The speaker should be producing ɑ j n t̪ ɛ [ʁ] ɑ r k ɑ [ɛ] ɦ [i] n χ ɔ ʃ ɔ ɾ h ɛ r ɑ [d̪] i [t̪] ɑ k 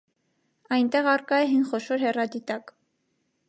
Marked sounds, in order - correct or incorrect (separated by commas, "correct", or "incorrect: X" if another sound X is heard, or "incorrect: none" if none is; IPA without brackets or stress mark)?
correct, correct, correct, correct, correct